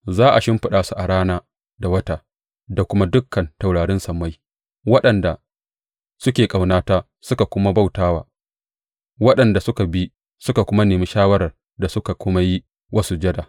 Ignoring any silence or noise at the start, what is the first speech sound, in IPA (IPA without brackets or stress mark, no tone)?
z